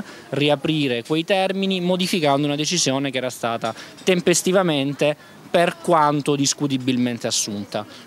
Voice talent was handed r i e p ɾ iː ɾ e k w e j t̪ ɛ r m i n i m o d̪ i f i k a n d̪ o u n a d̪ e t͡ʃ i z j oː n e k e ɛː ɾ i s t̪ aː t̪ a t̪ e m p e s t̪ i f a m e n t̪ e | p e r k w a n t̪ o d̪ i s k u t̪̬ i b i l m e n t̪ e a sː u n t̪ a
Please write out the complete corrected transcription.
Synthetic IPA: r i a p ɾ iː ɾ e k w e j t̪ ɛ r m i n i m o d̪ i f i k a n d̪ o u n a d̪ e t͡ʃ i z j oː n e k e ɛː ɾ a s t̪ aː t̪ a t̪ e m p e s t̪ i v a m e n t̪ e | p e r k w a n t̪ o d̪ i s k u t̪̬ i b i l m e n t̪ e a sː u n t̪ a